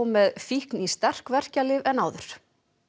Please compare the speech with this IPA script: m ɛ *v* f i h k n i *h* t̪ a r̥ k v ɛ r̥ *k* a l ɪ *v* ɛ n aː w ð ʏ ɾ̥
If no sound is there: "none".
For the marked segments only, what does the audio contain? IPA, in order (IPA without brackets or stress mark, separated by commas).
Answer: ð, s, c, v